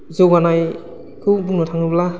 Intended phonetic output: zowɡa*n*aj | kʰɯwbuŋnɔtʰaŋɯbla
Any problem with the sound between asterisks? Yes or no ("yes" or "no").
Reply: no